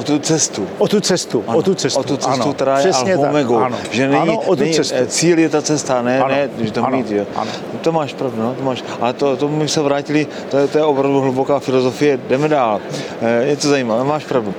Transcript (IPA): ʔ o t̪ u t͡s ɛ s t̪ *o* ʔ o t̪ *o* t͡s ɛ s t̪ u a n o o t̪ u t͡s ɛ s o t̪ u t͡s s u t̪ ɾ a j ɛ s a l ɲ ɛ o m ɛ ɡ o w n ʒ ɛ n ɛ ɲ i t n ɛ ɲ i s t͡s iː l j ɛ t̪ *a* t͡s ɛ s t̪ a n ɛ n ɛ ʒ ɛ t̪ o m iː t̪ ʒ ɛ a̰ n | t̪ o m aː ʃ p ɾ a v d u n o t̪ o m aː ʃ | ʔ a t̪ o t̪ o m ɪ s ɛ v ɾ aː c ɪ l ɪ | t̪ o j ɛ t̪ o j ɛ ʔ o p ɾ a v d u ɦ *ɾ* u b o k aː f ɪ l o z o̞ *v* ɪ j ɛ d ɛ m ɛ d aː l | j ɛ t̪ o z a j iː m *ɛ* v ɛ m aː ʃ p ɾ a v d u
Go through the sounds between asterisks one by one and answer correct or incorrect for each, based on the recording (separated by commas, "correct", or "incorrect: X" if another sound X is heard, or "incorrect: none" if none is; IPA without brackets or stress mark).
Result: incorrect: u, incorrect: u, correct, incorrect: l, incorrect: f, incorrect: a